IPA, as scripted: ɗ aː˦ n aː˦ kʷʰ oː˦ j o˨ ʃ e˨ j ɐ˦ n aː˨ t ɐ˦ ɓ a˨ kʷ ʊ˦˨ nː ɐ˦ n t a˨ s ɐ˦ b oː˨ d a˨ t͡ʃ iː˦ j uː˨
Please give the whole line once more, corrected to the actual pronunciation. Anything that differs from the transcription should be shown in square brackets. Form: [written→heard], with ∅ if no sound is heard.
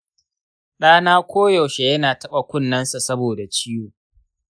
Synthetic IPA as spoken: ɗ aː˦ n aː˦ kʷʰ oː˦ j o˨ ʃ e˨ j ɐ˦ n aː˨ t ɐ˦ ɓ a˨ kʷ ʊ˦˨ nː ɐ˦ n [t→s] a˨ s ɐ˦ b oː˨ d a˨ t͡ʃ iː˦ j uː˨